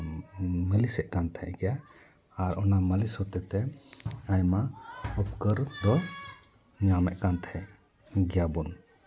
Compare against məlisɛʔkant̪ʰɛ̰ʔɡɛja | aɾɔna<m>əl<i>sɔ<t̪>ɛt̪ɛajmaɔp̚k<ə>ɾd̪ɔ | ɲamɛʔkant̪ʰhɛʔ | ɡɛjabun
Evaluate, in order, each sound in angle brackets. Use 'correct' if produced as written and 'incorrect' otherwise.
correct, correct, correct, correct

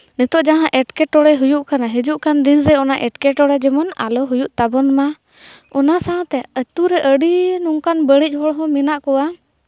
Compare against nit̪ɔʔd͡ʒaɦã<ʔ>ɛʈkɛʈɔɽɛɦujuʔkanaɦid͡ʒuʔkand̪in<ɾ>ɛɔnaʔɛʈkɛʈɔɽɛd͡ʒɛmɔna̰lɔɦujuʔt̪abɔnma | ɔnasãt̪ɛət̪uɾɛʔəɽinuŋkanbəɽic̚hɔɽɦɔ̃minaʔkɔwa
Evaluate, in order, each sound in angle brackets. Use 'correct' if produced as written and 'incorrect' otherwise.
correct, correct

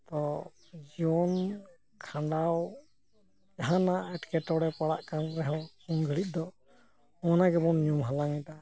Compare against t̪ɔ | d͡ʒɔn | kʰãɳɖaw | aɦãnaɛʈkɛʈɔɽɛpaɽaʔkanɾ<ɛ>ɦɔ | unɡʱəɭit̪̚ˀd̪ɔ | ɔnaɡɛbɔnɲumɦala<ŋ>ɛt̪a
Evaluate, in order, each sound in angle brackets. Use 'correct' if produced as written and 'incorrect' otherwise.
correct, correct

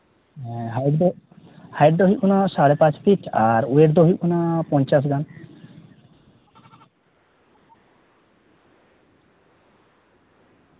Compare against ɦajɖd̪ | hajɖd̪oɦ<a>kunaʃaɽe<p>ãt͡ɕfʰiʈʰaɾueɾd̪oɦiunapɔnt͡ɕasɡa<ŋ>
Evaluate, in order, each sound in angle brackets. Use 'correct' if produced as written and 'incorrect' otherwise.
incorrect: i, correct, incorrect: n

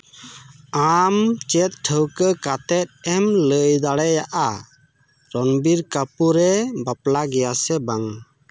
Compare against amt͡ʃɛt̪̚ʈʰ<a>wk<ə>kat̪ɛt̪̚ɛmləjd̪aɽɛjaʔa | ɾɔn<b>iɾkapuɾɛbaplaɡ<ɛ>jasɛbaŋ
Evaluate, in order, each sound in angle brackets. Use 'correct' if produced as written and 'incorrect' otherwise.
incorrect: ə, correct, correct, correct

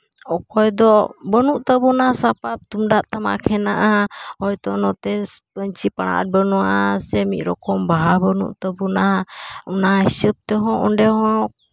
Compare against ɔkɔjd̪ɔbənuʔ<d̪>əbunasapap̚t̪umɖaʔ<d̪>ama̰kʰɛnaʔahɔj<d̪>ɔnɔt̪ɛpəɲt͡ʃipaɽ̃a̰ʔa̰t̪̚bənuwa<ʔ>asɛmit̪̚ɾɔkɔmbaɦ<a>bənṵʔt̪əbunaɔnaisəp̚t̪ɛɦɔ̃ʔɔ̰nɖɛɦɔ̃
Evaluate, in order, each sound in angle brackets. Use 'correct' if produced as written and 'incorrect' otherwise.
incorrect: t̪, incorrect: t̪, incorrect: t̪, correct, correct

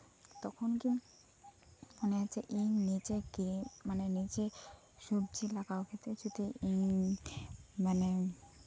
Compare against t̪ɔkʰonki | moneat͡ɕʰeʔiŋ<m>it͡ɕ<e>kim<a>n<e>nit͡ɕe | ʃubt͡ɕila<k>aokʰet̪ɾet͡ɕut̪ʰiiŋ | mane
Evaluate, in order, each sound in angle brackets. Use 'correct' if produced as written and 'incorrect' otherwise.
incorrect: n, correct, correct, correct, correct

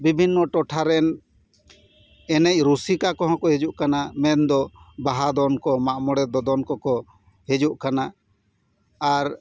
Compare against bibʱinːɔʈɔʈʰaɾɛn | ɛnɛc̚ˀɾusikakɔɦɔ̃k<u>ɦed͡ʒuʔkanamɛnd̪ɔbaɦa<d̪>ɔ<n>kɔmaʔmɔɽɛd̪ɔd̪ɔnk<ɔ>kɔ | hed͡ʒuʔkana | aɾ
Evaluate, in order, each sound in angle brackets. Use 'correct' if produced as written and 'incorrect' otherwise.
incorrect: ɔ, correct, correct, correct

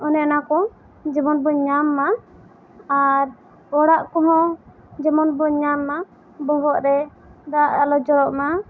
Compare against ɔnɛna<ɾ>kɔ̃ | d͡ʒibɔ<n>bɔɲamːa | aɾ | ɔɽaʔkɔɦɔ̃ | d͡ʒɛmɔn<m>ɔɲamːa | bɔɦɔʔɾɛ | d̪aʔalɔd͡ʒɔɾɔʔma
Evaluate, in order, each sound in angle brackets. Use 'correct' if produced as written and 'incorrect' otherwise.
incorrect: none, correct, incorrect: b

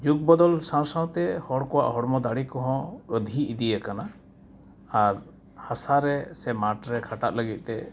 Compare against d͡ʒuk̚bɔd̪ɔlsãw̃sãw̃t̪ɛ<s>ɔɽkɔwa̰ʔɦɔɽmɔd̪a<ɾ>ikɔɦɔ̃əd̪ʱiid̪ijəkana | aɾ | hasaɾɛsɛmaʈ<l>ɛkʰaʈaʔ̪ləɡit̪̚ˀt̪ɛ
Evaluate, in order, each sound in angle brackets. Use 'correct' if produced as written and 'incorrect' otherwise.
incorrect: h, incorrect: ɽ, incorrect: ɾ

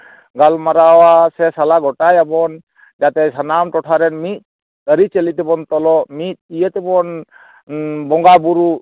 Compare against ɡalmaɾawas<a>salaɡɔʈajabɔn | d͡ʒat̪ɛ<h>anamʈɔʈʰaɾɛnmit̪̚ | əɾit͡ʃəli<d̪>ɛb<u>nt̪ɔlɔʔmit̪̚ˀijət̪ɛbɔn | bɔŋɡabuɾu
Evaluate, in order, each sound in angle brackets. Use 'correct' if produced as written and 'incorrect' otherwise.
incorrect: ɛ, incorrect: s, incorrect: t̪, incorrect: ɔ

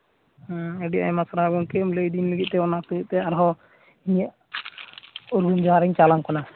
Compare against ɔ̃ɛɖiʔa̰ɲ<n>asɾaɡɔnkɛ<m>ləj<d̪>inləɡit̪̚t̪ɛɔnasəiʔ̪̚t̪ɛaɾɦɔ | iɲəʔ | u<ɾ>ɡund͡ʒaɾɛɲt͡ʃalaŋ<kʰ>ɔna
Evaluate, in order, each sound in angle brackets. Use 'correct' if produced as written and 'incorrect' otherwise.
incorrect: m, correct, correct, correct, incorrect: k

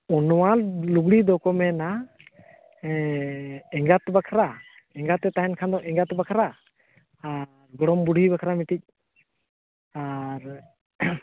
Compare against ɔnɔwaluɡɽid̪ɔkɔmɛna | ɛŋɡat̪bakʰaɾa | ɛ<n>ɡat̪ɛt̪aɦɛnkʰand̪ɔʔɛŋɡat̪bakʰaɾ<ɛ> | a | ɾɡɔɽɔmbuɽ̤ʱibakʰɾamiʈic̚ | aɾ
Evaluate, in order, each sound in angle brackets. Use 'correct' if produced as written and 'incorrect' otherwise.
incorrect: ŋ, incorrect: a

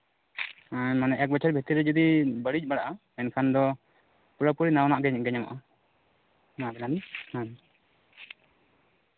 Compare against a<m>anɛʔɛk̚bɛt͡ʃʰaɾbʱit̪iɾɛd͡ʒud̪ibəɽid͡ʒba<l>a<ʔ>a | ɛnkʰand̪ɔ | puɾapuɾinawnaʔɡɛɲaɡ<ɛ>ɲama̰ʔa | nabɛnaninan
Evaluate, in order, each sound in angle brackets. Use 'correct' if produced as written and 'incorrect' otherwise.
correct, incorrect: ɽ, correct, correct

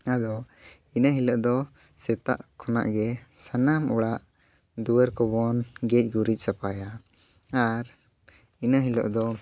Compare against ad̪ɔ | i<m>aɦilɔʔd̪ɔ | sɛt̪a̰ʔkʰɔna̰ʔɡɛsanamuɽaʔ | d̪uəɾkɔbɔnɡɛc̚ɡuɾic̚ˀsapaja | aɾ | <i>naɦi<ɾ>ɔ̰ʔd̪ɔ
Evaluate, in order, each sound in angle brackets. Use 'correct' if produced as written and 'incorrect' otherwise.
incorrect: n, correct, incorrect: l

